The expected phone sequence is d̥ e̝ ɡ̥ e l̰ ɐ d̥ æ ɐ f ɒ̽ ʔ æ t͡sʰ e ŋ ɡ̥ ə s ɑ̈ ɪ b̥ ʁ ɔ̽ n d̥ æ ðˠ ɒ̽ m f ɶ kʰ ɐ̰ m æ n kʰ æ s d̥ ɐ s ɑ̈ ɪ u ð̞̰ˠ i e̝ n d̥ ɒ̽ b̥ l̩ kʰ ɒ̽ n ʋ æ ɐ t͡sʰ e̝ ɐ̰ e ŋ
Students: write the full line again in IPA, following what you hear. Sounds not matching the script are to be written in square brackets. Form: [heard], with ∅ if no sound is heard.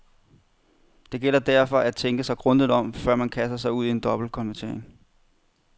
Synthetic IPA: d̥ e̝ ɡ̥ e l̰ ɐ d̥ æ ɐ f ɒ̽ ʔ æ t͡sʰ e ŋ ɡ̥ ə s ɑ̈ ɪ [ɡ̥] ʁ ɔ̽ n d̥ [i] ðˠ ɒ̽ m f ɶ [∅] ɐ̰ m æ n kʰ æ s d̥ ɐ s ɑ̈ ɪ u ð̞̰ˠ i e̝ n d̥ ɒ̽ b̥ l̩ kʰ ɒ̽ n ʋ æ ɐ t͡sʰ e̝ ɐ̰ e ŋ

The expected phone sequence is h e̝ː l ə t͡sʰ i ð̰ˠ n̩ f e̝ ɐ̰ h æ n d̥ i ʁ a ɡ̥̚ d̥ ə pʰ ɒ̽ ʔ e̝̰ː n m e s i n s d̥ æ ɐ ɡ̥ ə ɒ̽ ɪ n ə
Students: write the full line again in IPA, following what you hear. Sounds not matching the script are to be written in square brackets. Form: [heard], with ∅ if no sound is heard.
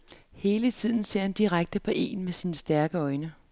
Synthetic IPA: h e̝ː l ə t͡sʰ i ð̰ˠ n̩ [s] e̝ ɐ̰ h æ n d̥ i ʁ a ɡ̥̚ d̥ ə pʰ ɒ̽ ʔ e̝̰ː n m e s i n s d̥ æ ɐ ɡ̥ ə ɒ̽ ɪ n ə

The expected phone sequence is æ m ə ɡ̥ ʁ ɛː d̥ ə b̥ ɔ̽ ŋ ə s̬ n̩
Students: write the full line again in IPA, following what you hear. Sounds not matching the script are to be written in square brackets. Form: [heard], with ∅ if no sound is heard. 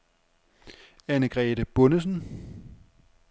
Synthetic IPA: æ [n] ə ɡ̥ ʁ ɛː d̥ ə b̥ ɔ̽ [n] ə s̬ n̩

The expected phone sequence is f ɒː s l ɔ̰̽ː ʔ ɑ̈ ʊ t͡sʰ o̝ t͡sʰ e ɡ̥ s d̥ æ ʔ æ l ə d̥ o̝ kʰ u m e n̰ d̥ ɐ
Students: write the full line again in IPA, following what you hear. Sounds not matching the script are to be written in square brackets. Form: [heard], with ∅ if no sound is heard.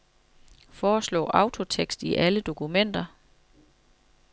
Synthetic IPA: f ɒː s l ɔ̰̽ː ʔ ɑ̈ ʊ t͡sʰ o̝ t͡sʰ e ɡ̥ s d̥ [i] ʔ æ l ə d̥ o̝ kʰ u m e n̰ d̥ ɐ

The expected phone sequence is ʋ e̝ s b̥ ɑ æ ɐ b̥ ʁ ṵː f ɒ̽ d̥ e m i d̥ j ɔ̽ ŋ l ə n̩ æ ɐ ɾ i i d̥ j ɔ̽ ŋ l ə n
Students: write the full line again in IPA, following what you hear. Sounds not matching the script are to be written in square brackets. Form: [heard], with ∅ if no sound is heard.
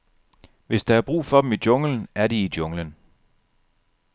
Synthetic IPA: ʋ e̝ s [d̥] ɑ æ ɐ b̥ ʁ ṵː f ɒ̽ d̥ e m i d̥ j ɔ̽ ŋ l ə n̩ æ ɐ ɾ i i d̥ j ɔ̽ ŋ l ə n

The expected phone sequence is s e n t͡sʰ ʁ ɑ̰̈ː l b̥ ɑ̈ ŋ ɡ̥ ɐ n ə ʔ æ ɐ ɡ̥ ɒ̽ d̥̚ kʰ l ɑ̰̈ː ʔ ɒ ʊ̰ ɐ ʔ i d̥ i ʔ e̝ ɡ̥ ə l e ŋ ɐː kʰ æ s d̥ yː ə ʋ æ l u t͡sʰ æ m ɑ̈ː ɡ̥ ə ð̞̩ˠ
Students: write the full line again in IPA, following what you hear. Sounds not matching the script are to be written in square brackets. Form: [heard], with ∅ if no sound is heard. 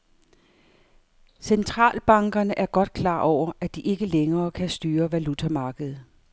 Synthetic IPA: s e n t͡sʰ ʁ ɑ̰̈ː l b̥ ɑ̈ ŋ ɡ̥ ɐ n ə ʔ æ ɐ ɡ̥ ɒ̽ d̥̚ kʰ l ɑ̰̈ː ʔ ɒ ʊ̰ ɐ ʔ [æ] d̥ i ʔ e̝ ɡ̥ ə l e ŋ ɐː kʰ æ s d̥ yː [ɐ] ʋ æ l u t͡sʰ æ m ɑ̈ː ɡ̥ ə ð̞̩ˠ

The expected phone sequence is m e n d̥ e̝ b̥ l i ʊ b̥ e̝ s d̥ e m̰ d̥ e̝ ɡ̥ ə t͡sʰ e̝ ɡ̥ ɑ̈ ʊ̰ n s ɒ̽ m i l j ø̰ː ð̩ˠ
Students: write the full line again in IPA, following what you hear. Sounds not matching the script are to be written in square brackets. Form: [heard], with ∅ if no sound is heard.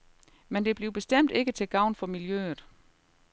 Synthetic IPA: m e n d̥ e̝ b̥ l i ʊ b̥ e̝ s d̥ e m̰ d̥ e̝ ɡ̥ ə t͡sʰ e̝ ɡ̥ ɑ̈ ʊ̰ n [f] ɒ̽ m i l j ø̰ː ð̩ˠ

